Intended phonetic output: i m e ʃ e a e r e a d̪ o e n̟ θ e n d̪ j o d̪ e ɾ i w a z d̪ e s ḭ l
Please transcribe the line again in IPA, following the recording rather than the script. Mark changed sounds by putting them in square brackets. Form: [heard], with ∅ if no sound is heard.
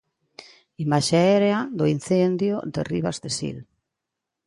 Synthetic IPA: i m [a] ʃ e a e [ɾ] e a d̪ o [i] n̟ θ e n d̪ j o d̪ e [r] i [β] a z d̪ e s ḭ l